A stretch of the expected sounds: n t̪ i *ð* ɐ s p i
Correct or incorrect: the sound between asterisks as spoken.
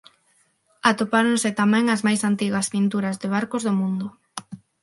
incorrect: ɣ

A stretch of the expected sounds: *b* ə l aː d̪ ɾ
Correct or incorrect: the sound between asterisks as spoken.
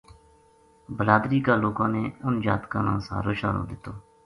correct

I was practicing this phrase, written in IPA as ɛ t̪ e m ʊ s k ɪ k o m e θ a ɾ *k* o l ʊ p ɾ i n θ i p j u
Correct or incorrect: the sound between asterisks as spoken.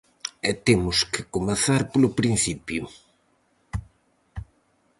incorrect: p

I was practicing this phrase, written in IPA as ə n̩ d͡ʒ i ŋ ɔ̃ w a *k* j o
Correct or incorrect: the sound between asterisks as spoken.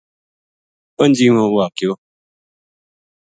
correct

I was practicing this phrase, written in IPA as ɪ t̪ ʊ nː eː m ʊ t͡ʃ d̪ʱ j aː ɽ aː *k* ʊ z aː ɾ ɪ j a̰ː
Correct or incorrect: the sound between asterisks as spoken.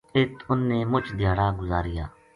incorrect: ɡ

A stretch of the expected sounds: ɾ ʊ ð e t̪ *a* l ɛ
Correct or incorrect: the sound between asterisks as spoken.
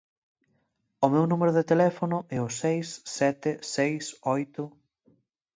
incorrect: e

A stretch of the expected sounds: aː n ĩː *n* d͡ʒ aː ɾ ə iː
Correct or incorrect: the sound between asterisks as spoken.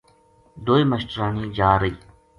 incorrect: none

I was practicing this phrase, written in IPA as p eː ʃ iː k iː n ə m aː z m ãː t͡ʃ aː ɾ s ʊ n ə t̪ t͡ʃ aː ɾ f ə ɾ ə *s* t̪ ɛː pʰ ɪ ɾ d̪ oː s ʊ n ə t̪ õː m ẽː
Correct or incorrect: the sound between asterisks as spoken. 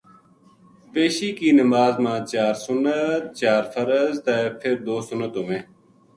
incorrect: z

